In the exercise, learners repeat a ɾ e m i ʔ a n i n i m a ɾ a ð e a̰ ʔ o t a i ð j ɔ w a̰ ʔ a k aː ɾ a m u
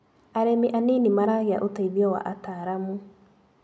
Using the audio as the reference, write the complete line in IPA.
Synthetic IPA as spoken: a ɾ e m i ʔ a n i n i m a ɾ a ɣ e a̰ ʔ o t a i ð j ɔ w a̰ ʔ a t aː ɾ a m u